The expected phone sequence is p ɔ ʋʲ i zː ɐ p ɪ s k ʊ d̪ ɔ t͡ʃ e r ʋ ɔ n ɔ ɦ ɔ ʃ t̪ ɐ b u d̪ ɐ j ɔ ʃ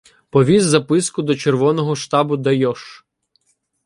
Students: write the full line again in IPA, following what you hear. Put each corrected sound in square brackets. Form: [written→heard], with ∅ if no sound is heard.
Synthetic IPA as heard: p ɔ ʋʲ i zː ɐ p ɪ s k ʊ d̪ ɔ t͡ʃ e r ʋ ɔ n ɔ ɦ ɔ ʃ t̪ [ɐ→ɑ] b [u→ʊ] d̪ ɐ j ɔ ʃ